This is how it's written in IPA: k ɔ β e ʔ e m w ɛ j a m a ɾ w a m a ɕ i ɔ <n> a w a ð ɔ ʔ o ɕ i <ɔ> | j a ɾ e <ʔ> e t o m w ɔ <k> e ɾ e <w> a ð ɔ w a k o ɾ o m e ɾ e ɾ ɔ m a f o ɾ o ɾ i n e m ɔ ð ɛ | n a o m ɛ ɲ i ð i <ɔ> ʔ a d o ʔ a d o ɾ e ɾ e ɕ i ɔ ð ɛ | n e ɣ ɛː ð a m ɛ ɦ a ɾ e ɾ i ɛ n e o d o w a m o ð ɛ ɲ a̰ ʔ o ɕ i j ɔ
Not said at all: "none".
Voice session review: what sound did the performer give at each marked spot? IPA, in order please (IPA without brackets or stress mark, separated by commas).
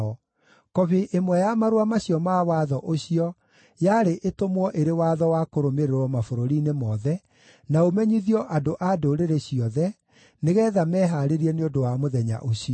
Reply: m, ɔ, ʔ, ʔ, w, ɔ